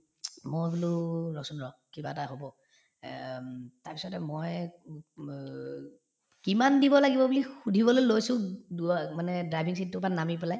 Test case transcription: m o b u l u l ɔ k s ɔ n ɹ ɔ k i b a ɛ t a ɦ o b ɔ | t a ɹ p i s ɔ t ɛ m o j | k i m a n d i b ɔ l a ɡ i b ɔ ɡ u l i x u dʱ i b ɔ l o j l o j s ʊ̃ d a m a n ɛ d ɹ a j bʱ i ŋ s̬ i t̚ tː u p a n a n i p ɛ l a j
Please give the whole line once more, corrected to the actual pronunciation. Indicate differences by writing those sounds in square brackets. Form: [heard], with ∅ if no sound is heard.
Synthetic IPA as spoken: m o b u l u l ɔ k s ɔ n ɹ ɔ k i b a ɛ t a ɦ o b ɔ | t a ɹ p i s ɔ t ɛ m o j | k i m a n d i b ɔ l a ɡ i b ɔ [b] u l i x u dʱ i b ɔ l o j l o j s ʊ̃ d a m a n ɛ d ɹ a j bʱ i ŋ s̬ i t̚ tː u p a n a [m] i p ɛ l a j